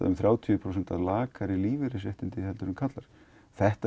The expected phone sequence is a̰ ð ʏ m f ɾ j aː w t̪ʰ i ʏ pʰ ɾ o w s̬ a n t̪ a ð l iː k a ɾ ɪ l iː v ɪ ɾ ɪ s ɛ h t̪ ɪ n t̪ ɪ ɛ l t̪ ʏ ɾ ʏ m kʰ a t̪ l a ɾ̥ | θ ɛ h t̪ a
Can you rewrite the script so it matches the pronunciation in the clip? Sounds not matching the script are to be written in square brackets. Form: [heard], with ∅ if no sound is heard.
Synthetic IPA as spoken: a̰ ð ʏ m [θ] ɾ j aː w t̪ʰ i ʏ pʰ ɾ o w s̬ [ɛ] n t̪ a ð l [aː] k a ɾ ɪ l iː v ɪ ɾ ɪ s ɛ h t̪ ɪ n t̪ ɪ ɛ l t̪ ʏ ɾ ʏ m kʰ a t̪ l a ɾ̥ | θ ɛ h t̪ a